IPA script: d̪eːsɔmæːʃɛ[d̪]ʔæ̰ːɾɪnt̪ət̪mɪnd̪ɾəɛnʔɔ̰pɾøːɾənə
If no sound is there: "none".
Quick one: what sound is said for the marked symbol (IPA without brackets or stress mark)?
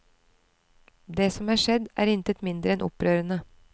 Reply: d̪